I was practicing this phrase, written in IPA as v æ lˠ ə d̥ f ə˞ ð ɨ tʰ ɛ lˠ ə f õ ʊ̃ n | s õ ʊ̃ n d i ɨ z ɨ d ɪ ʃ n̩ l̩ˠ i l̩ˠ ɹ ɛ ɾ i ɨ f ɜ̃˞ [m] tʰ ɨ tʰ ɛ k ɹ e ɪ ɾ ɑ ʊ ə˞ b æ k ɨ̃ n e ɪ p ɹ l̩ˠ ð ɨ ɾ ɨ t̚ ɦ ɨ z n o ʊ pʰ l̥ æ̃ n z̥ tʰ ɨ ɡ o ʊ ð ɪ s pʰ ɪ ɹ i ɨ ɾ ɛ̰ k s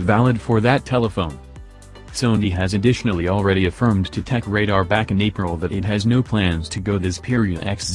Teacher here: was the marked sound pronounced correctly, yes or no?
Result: yes